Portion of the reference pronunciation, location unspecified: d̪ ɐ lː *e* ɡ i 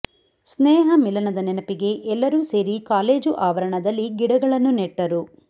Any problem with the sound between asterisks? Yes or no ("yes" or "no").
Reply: yes